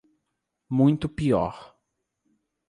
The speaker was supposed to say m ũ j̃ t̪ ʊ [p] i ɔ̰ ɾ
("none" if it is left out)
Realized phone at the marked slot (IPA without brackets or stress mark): p